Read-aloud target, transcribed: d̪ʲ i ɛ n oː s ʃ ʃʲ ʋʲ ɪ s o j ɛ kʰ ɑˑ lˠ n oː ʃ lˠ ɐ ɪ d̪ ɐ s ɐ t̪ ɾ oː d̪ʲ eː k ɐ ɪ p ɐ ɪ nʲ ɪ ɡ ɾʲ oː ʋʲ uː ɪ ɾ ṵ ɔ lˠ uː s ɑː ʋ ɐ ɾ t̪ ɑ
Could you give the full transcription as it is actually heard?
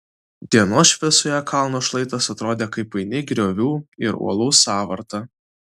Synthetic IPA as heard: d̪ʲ i ɛ n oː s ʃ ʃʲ ʋʲ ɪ s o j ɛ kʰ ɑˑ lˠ n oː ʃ lˠ ɐ ɪ t̪ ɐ s ɐ t̪ ɾ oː d̪ʲ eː k ɐ ɪ p ɐ ɪ nʲ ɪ ɡ ɾʲ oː ʋʲ uː ɪ ɾ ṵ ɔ lˠ uː s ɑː ʋ ɐ ɾ t̪ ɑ